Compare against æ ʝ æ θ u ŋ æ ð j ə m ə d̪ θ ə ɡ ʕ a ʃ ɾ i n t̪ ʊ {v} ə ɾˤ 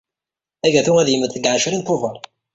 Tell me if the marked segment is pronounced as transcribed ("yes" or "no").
yes